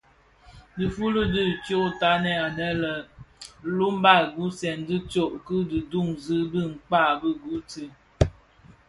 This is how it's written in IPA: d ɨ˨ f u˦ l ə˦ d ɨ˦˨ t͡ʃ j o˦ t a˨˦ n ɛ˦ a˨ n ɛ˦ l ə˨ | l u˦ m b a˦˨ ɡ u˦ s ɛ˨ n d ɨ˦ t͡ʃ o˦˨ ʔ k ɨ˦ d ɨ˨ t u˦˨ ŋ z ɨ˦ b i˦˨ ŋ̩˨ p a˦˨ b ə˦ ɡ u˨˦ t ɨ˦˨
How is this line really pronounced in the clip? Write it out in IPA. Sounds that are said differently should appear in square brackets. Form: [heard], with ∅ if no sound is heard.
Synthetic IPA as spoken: d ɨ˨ f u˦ l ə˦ d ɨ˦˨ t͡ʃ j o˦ t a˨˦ n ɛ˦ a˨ n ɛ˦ l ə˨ | l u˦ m b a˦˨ ɡ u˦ s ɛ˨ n d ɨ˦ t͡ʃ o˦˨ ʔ k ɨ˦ d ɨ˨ [d] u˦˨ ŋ z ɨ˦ b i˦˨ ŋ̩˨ [k͡p] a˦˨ b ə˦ ɡ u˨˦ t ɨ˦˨

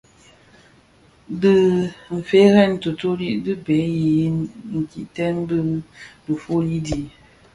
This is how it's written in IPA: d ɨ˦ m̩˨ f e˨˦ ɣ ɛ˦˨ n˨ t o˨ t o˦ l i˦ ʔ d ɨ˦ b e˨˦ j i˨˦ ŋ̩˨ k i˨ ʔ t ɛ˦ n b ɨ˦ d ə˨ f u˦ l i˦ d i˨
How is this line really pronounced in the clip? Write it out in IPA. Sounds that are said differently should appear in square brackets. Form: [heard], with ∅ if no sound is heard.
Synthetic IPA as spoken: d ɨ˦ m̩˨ f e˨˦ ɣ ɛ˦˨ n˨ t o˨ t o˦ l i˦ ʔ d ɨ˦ b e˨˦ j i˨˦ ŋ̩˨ k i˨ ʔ t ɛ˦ n b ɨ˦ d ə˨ f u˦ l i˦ d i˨

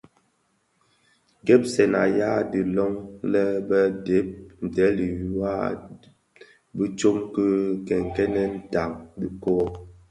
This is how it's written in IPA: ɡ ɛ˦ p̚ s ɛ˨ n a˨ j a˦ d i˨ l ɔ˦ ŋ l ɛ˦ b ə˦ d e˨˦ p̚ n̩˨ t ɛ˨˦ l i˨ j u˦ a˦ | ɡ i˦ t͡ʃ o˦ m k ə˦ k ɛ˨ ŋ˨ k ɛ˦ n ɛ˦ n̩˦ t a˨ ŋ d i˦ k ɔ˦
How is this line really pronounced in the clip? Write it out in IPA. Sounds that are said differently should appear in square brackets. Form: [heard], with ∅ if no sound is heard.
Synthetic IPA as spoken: ɡ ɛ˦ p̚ s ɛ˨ n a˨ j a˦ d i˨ l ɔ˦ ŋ l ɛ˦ b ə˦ d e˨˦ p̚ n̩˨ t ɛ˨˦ l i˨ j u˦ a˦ | [b] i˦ t͡ʃ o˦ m k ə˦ k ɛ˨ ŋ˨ k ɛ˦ n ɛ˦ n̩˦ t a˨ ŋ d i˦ k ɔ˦

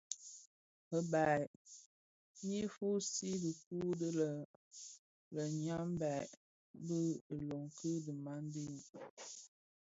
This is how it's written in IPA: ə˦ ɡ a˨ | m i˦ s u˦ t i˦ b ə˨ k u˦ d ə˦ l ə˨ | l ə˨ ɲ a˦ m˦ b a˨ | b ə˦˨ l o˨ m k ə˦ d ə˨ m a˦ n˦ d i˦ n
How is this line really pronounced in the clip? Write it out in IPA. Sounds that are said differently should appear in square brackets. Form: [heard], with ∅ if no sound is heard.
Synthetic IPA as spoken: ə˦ [b] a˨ | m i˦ [f] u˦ [s] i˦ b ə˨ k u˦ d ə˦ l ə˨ | l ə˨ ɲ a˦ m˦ b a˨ | b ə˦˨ l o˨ [ŋ] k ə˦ d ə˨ m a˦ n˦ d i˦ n

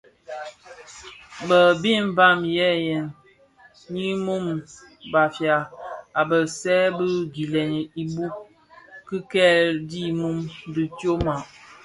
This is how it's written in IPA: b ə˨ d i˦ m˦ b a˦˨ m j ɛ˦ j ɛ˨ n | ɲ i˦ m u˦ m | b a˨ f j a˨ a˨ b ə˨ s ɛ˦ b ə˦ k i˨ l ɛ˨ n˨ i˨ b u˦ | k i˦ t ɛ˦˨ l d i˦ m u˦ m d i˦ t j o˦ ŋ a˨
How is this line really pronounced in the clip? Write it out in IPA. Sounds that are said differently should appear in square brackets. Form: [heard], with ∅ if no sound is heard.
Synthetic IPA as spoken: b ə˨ [b] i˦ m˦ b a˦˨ m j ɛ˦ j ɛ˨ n | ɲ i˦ m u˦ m | b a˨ f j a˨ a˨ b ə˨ s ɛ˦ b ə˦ [ɡ] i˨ l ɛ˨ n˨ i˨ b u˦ | k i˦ [k] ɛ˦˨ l d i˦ m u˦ m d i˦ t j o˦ [m] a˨

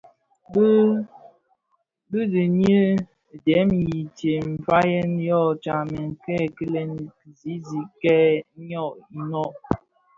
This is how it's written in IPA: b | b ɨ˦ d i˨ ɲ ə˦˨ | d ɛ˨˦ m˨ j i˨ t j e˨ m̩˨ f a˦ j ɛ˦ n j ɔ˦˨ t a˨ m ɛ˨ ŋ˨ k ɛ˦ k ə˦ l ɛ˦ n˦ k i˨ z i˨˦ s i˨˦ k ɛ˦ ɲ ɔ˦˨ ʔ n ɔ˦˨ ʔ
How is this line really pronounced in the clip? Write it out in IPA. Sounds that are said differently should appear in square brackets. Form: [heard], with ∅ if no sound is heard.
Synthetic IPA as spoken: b | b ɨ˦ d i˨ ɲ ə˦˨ | d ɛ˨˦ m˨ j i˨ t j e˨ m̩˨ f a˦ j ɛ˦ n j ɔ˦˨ [t͡ʃ] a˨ m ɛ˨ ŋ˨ k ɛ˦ k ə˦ l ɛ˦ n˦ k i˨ z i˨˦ [z] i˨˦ k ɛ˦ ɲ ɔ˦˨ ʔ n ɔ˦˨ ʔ

